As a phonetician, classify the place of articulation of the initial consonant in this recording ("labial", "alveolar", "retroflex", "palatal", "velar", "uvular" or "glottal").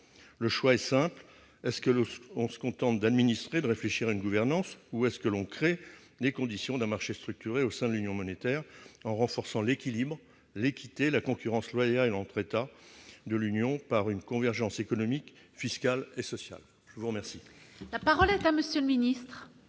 alveolar